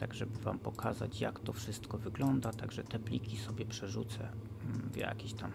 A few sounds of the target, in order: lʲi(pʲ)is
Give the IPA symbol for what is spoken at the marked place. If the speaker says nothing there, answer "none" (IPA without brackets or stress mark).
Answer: kʲ